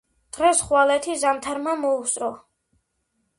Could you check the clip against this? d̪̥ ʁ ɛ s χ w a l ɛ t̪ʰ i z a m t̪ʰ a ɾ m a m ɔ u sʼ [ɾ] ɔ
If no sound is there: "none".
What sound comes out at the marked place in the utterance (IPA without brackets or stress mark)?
ɾ